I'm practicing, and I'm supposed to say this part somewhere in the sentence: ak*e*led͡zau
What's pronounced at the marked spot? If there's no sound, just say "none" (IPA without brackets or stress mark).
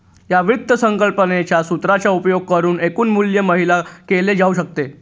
e